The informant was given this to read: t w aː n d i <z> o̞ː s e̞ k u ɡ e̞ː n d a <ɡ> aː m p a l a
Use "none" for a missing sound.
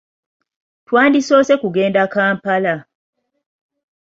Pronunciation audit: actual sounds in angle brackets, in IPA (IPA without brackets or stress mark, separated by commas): s, k